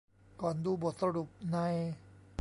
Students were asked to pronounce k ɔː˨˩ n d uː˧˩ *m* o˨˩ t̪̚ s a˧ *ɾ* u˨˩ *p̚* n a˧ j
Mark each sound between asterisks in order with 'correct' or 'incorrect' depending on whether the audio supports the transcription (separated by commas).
incorrect, correct, correct